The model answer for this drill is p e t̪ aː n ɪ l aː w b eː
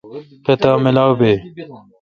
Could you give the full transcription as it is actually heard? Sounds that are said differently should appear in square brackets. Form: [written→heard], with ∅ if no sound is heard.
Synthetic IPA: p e t̪ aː [n→m] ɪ l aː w b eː